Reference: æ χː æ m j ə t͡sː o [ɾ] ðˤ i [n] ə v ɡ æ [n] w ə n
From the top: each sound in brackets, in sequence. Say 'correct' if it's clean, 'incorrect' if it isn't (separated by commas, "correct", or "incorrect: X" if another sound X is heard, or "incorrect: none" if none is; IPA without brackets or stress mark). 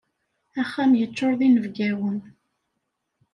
correct, correct, incorrect: none